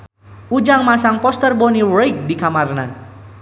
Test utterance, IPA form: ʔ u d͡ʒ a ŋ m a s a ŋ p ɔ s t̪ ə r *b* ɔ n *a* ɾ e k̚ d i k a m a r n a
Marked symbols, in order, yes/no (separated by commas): yes, no